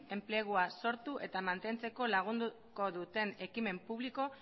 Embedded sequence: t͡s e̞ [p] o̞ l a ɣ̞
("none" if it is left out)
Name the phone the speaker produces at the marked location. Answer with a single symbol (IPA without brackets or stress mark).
k